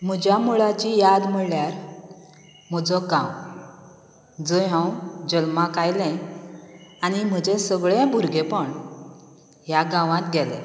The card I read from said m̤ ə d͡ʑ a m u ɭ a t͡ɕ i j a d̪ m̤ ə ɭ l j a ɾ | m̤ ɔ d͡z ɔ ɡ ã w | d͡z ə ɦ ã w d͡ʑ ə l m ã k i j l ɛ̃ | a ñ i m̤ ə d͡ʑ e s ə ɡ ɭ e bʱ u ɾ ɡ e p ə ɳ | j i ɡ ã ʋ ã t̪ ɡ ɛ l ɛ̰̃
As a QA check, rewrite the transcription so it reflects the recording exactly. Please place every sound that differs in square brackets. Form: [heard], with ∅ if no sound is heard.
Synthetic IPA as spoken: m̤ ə d͡ʑ a m u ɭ a t͡ɕ i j a d̪ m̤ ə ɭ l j a ɾ | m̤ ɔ d͡z ɔ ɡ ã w | d͡z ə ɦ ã w d͡ʑ ə l m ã k [a] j l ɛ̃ | a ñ i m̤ ə d͡ʑ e s ə ɡ ɭ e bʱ u ɾ ɡ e p ə ɳ | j [a] ɡ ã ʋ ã t̪ ɡ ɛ l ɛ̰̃